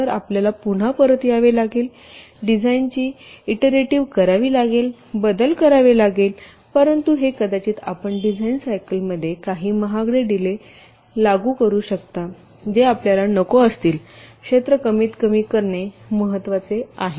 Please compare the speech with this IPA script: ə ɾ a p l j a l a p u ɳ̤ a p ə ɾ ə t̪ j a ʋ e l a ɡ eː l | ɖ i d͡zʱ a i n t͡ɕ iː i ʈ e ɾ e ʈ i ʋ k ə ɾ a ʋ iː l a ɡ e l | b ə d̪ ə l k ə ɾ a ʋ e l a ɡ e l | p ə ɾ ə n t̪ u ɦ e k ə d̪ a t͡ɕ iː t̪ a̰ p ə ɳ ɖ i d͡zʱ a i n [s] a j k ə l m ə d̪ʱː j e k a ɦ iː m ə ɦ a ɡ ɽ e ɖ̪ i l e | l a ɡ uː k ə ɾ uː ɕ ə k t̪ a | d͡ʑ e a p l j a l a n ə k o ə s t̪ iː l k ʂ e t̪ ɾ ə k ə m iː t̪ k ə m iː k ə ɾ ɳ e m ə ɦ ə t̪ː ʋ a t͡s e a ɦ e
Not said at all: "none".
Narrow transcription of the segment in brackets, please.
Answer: s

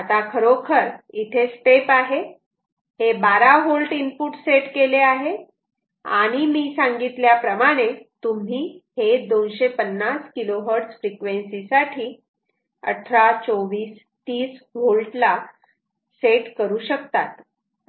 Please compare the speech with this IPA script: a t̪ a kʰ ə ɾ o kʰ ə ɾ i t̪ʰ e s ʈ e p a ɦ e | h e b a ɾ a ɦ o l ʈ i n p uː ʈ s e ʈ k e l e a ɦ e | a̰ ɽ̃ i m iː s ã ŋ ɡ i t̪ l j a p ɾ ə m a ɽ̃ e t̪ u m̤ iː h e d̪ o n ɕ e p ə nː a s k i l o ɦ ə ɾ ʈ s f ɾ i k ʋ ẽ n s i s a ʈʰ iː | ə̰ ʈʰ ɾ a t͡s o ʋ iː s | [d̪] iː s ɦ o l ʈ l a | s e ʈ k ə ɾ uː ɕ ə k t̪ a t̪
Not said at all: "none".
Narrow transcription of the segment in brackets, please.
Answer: t̪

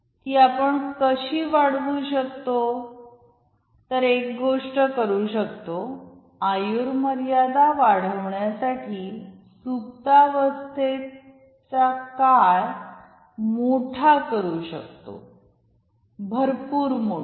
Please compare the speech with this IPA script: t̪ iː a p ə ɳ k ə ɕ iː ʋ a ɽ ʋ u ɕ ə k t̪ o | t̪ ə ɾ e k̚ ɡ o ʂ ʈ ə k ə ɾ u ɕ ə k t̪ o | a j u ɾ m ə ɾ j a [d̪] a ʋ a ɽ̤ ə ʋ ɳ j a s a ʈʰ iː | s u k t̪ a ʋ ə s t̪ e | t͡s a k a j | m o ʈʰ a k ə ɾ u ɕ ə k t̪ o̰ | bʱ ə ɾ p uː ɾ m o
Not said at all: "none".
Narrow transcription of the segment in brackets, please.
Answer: d̪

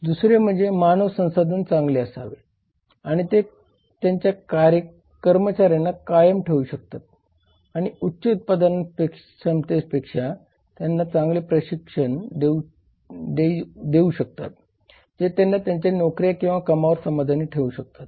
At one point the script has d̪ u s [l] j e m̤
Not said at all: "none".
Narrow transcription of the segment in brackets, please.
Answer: ɾ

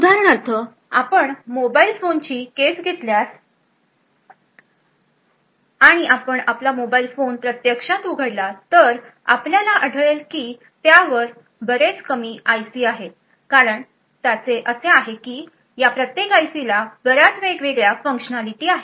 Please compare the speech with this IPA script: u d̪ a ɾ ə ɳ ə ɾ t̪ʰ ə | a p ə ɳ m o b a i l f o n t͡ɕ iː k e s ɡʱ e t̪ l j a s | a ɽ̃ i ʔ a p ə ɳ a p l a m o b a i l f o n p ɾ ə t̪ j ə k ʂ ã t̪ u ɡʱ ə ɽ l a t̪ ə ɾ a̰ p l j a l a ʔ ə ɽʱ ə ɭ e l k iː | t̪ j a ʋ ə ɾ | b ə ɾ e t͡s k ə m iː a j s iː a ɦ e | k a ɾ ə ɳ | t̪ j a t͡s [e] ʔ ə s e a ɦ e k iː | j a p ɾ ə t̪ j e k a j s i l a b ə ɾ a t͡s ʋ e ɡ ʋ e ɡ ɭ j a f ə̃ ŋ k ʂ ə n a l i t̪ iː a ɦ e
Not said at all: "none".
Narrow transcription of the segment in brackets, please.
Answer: e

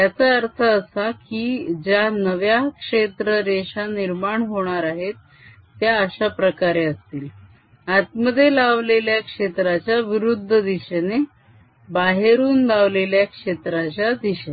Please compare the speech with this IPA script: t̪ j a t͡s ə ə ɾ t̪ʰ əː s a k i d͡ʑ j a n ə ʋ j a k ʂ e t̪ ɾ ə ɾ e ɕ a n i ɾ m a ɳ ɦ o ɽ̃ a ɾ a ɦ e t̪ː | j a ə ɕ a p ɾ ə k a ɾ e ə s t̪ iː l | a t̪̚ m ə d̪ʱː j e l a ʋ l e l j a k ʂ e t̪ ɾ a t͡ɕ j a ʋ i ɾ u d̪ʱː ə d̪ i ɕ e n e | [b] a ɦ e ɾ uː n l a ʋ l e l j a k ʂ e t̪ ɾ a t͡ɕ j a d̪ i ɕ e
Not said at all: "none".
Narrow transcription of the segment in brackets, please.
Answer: b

